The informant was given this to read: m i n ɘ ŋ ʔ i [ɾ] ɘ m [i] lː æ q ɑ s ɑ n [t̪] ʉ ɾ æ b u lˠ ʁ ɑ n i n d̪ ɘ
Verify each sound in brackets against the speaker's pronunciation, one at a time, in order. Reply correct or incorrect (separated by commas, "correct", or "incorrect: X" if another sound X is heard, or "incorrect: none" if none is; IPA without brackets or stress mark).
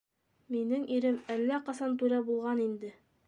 correct, incorrect: æ, correct